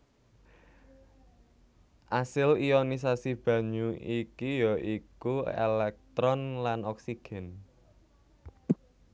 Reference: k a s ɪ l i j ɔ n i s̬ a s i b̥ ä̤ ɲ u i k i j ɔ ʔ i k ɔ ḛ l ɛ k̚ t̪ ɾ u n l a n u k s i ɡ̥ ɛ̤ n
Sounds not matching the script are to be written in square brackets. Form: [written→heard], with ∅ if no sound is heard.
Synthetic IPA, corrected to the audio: [k→ʔ] a s ɪ l i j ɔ n i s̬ a s i b̥ ä̤ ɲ u i k i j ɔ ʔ i k [ɔ→u] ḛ l ɛ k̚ t̪ ɾ [u→ɔ] n l a n [u→ɔ] k s i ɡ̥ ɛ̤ n